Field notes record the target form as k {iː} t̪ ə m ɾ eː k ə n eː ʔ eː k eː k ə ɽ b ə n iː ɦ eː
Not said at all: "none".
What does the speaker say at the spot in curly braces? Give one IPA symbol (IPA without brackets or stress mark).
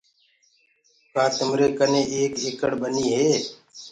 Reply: aː